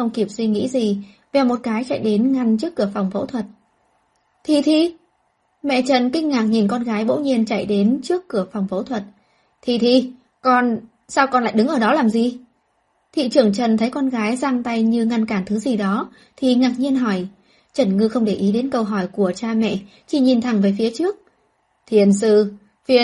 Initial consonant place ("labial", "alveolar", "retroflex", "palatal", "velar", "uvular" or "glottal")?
velar